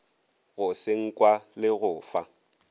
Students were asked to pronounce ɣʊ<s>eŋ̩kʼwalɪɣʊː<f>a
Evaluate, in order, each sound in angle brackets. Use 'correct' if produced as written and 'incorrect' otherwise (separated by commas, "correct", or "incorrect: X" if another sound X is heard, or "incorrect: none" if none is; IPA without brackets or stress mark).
correct, correct